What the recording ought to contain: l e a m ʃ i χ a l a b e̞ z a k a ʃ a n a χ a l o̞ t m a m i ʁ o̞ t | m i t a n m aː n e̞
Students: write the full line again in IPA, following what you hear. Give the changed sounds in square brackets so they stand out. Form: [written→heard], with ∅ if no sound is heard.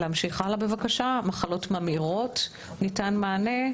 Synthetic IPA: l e a m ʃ i χ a l a b e̞ [z→v] a k a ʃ a [n→m] a χ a l o̞ t m a m i ʁ o̞ t | [m→n] i t a n m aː n e̞